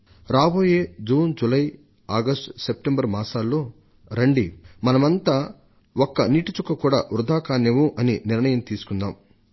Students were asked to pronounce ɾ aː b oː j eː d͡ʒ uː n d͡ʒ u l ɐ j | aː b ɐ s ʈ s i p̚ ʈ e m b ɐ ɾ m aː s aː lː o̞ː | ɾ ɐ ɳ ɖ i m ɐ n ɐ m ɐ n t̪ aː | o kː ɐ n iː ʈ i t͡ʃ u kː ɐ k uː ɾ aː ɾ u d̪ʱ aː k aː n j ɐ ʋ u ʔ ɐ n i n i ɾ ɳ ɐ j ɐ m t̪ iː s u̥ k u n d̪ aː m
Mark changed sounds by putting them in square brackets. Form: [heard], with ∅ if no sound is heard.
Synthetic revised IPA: ɾ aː b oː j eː d͡ʒ uː n d͡ʒ u l ɐ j | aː [ɡ] ɐ s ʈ s [e] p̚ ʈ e m b ɐ ɾ m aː s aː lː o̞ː | ɾ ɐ ɳ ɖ i m ɐ n ɐ m ɐ n t̪ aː | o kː ɐ n iː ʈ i t͡ʃ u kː ɐ k uː [ɽ] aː ɾ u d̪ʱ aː k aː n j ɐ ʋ u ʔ ɐ n i n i ɾ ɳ ɐ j ɐ m t̪ iː s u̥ k u n d̪ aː m